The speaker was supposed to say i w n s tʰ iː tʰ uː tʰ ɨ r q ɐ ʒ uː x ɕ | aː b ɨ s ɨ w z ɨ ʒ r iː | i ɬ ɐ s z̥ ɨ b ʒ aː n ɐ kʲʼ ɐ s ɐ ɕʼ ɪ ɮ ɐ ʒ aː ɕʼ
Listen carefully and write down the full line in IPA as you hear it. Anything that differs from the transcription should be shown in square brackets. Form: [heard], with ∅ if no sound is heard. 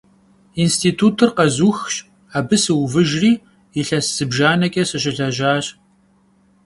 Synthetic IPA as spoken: i [∅] n s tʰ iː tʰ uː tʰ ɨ r q ɐ [z] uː x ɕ | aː b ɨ s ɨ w [v] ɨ ʒ r iː | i ɬ ɐ s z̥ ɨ b ʒ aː n ɐ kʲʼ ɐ s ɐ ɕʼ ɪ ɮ ɐ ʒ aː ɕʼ